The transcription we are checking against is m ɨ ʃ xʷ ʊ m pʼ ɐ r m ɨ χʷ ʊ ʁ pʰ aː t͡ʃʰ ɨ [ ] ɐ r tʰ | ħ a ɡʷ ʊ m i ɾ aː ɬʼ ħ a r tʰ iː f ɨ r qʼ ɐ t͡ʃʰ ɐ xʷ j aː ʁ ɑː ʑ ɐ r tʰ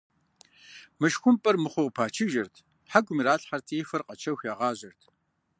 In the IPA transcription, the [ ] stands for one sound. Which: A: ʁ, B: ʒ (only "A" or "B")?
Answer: B